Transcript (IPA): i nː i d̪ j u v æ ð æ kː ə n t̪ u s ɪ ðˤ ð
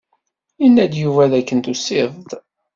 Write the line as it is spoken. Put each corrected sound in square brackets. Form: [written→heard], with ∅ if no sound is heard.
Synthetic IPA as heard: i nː [i→æ] d̪ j u v æ ð æ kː ə n t̪ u s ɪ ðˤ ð